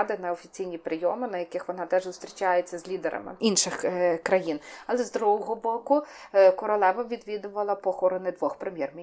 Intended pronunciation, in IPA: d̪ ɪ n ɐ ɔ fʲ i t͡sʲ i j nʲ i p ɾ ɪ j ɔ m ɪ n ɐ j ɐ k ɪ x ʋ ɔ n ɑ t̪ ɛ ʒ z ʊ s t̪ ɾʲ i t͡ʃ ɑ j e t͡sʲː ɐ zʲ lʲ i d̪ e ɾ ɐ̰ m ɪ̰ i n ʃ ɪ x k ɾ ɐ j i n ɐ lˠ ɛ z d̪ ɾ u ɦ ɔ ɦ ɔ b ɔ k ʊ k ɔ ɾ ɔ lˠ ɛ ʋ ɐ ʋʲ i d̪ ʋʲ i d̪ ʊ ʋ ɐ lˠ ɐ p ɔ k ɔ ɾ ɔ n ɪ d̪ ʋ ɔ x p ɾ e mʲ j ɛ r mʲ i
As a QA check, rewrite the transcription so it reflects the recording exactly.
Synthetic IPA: d̪ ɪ n ɐ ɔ fʲ i t͡sʲ i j nʲ i p ɾ ɪ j ɔ m ɪ n ɐ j ɐ k ɪ x ʋ ɔ n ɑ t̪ ɛ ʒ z ʊ s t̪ ɾʲ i t͡ʃ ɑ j e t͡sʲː ɐ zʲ lʲ i d̪ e ɾ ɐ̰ m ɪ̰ i n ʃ ɪ x k ɾ ɐ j i n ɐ lˠ ɛ z d̪ ɾ u ɦ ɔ ɦ ɔ b ɔ k ʊ k ɔ ɾ ɔ lˠ ɛ ʋ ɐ ʋʲ i d̪ ʋʲ i d̪ ʊ ʋ ɐ lˠ ɐ p ɔ x ɔ ɾ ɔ n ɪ d̪ ʋ ɔ x p ɾ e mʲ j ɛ r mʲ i